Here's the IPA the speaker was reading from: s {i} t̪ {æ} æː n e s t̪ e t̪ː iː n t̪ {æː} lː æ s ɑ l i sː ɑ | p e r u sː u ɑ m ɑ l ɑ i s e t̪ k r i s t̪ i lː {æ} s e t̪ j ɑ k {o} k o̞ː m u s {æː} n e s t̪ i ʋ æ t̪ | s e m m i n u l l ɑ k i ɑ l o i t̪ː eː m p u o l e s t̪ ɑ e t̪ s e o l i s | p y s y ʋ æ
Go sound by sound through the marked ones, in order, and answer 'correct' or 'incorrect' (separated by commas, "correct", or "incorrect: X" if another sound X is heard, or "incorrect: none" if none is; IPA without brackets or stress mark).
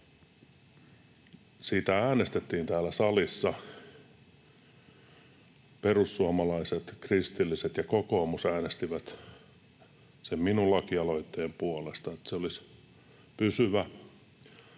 incorrect: iː, correct, correct, incorrect: i, correct, correct